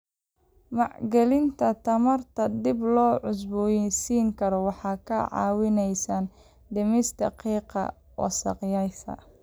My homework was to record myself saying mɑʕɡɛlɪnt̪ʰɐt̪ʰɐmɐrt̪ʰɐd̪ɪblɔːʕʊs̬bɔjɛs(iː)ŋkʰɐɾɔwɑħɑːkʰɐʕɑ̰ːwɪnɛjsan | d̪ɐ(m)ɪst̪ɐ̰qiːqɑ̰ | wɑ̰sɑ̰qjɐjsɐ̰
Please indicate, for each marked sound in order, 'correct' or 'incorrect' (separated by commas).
correct, correct